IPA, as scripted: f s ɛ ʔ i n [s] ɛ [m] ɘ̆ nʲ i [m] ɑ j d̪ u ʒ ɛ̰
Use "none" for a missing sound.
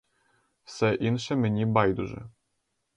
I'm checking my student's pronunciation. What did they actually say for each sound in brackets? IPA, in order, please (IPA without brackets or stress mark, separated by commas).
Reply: ʃ, m, b